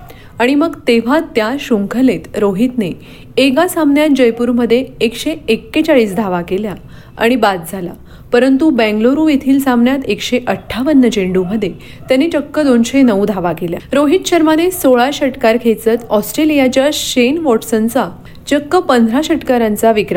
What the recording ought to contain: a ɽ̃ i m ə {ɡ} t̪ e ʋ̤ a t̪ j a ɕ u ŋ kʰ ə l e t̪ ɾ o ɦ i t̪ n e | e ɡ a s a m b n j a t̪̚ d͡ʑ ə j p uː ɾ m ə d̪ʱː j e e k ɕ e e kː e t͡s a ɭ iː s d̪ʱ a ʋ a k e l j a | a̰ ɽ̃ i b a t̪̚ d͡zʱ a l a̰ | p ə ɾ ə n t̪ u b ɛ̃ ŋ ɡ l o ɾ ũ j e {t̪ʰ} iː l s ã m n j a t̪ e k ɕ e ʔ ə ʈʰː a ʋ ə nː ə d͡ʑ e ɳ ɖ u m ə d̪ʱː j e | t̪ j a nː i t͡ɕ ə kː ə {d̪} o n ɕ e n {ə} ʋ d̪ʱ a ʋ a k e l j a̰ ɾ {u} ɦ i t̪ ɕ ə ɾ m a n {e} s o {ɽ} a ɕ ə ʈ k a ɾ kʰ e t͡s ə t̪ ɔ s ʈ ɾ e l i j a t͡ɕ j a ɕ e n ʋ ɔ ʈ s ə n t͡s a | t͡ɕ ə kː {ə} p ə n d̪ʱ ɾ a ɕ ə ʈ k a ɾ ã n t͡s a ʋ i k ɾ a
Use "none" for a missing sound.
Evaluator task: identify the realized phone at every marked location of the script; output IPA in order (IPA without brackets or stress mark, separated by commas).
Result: ɡ, t̪ʰ, d̪, ə, o, e, ɭ, ə